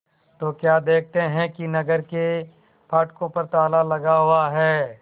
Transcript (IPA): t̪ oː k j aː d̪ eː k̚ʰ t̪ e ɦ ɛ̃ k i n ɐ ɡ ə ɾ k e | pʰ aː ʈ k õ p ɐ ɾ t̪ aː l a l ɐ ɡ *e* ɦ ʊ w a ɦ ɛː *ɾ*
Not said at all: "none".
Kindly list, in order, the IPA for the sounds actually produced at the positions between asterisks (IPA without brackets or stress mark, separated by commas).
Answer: a, none